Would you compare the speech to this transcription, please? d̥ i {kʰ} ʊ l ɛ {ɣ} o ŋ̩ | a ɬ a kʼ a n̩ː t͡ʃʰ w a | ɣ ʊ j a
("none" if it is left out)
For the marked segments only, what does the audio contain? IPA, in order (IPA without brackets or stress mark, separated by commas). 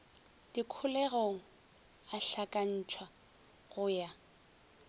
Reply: kʰ, ɣ